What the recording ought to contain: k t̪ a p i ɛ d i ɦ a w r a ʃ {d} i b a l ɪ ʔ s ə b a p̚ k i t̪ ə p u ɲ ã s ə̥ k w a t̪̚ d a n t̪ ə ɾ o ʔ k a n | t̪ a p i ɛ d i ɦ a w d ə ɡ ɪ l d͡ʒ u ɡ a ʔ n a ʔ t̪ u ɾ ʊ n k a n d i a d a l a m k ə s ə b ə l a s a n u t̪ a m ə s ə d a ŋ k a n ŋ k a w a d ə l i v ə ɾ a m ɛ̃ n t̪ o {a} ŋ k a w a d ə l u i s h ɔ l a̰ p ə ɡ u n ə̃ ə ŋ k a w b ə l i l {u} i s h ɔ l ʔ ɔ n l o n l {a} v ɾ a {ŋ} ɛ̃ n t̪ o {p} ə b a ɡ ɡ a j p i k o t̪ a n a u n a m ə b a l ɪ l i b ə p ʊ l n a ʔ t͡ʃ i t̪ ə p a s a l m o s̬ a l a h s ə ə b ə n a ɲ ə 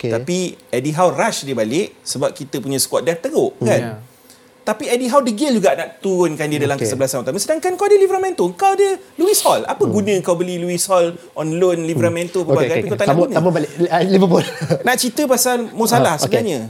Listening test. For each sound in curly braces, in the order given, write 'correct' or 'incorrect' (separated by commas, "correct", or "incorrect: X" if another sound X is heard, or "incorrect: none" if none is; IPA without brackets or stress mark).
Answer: correct, incorrect: ə, correct, incorrect: i, incorrect: m, correct